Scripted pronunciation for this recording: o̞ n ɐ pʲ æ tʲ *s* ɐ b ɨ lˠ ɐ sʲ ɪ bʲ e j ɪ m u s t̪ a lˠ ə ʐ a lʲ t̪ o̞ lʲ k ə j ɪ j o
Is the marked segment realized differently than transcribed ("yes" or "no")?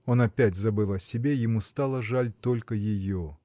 yes